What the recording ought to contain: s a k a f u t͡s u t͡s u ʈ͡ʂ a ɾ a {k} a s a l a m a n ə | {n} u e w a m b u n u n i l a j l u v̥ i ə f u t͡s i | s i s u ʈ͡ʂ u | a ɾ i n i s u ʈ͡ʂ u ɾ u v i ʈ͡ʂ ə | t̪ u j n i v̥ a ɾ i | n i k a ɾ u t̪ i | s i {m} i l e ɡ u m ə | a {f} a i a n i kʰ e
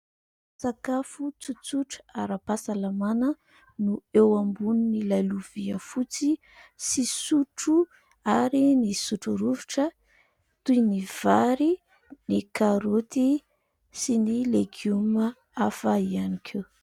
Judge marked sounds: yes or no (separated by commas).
no, yes, no, yes